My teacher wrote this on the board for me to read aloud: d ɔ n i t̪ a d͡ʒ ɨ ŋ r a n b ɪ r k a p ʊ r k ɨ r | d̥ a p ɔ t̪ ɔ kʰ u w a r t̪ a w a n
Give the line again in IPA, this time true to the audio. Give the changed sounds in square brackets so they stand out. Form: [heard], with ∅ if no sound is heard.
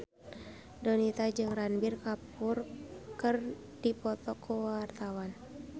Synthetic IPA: d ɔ n i t̪ a d͡ʒ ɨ ŋ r a n b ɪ r k a p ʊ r k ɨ r | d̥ [i] p ɔ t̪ ɔ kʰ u w a r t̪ a w a n